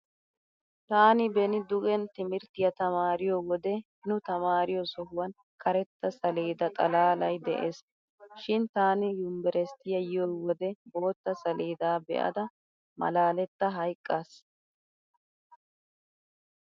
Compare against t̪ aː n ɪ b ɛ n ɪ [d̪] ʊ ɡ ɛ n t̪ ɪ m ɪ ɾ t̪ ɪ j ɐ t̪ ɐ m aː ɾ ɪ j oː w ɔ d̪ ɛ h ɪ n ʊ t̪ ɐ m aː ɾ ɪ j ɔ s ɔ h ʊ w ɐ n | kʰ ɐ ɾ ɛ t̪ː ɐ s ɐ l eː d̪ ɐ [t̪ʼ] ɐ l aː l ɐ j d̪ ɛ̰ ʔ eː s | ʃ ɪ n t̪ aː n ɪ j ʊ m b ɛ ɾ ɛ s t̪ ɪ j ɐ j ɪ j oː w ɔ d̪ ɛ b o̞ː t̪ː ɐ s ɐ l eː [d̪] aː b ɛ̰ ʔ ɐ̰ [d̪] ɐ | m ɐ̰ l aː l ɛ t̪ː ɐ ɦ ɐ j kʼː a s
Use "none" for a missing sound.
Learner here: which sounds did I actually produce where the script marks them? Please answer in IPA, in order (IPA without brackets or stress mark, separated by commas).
d̪, t̪ʼ, d̪, d̪